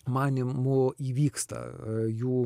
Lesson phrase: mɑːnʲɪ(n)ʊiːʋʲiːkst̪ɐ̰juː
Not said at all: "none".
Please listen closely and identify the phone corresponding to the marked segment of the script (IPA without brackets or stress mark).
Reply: m